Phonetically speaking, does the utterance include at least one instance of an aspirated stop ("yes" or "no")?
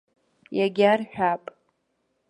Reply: no